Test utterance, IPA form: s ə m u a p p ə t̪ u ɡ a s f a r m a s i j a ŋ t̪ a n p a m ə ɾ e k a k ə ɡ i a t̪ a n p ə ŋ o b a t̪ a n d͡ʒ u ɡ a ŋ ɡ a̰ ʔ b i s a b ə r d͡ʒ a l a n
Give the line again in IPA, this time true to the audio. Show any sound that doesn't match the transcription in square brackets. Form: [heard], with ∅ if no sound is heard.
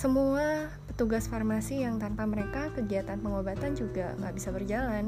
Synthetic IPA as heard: s ə m u a p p ə t̪ u ɡ a s f a r m a s i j a ŋ t̪ a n p a m ə ɾ e k a k ə ɡ i a t̪ a n p ə ŋ o b a t̪ a n d͡ʒ u ɡ a ŋ ɡ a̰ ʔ b i s a b ə r d͡ʒ a l a n